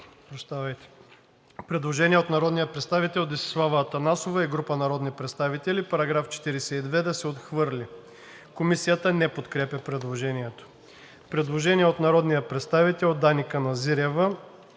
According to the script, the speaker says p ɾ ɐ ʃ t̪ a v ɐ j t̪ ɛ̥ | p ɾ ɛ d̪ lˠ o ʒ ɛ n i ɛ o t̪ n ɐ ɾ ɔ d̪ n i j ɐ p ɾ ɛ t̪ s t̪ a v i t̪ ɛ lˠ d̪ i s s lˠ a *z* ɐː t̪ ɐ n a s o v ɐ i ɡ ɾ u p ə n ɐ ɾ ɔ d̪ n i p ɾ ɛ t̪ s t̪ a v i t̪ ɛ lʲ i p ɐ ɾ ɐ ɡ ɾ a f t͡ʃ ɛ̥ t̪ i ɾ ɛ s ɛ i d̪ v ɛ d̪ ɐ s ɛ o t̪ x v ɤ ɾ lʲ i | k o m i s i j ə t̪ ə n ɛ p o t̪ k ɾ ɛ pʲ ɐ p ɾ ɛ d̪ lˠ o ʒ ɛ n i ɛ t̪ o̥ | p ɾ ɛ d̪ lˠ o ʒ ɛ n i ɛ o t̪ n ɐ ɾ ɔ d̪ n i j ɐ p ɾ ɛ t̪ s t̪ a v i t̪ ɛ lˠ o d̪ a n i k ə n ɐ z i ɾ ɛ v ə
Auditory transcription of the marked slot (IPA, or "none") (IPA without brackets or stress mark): v